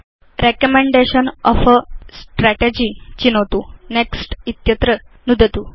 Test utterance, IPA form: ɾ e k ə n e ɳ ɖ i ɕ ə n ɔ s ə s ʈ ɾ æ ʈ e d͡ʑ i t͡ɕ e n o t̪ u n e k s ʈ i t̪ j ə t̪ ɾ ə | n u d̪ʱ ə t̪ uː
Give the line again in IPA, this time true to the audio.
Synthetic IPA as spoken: ɾ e k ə m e ɳ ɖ e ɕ ə n ɔ f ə s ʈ ɾ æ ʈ e d͡ʑ i t͡ɕ i n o t̪ u n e k s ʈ i t̪ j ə t̪ ɾ ə | n u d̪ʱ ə t̪ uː